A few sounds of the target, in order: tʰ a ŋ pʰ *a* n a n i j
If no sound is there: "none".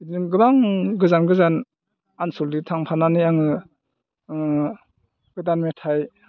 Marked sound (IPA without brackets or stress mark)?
a